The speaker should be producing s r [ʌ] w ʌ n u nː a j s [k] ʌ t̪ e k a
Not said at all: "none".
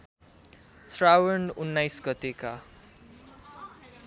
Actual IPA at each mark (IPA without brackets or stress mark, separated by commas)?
a, ɡ